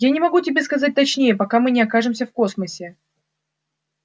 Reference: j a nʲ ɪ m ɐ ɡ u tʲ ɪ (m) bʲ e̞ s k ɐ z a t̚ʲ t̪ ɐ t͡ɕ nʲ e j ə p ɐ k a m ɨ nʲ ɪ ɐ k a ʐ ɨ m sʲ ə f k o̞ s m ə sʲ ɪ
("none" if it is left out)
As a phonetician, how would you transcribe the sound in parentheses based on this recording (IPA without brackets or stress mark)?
none